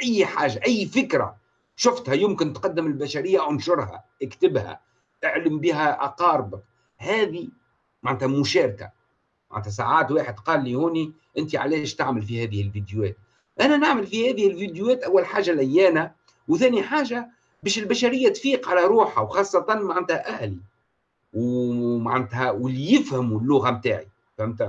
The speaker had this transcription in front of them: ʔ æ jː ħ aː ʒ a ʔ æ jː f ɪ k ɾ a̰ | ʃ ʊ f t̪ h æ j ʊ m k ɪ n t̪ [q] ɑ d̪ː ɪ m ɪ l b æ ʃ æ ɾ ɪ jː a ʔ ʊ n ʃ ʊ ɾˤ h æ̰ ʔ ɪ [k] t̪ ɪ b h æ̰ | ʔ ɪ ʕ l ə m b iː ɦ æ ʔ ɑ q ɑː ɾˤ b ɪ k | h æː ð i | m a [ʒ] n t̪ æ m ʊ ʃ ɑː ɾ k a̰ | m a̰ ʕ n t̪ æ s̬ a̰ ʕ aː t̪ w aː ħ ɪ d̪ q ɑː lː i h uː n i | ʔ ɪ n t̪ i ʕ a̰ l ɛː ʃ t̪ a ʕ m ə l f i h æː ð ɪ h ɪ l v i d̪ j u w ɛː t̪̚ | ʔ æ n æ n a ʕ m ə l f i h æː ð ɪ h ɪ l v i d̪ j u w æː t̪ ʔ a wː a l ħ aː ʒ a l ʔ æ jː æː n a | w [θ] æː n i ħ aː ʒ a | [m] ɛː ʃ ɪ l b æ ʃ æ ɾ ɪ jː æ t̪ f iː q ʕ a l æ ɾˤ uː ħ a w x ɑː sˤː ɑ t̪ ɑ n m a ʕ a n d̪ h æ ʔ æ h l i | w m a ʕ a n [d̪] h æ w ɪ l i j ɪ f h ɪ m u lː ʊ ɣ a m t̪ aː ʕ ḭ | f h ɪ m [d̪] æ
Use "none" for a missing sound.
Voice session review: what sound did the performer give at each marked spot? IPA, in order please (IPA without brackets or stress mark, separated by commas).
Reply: q, k, ʕ, θ, b, t̪, t̪